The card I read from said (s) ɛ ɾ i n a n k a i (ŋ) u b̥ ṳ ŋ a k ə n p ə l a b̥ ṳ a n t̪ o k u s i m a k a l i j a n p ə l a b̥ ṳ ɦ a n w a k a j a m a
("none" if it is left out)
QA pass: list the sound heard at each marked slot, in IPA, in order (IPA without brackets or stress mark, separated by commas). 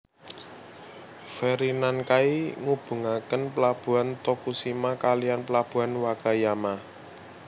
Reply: f, ŋ